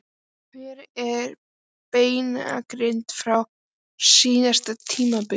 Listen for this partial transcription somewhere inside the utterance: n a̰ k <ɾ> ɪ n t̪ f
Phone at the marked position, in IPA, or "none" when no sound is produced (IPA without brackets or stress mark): ɾ